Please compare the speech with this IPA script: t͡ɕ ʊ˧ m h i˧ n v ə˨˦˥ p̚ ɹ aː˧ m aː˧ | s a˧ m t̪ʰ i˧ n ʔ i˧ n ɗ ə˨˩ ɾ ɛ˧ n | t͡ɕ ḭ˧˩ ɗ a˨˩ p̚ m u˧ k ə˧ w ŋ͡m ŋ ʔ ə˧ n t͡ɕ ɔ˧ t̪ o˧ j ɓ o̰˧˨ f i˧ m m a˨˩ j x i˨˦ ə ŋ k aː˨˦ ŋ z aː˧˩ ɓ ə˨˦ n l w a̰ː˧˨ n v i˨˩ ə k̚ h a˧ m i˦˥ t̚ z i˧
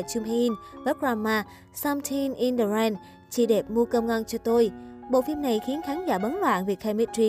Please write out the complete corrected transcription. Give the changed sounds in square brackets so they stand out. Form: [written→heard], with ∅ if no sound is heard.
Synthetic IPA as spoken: t͡ɕ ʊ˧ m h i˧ n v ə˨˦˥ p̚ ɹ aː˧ m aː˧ | s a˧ m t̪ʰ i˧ n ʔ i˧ n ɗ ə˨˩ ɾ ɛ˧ n | t͡ɕ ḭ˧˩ ɗ [a˨˩→e˨˩] p̚ m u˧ k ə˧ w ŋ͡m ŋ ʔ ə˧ n t͡ɕ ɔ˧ t̪ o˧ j ɓ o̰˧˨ f i˧ m [m→n] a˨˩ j x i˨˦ ə [ŋ→n] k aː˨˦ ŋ z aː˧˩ ɓ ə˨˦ n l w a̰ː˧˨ n v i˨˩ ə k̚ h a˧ m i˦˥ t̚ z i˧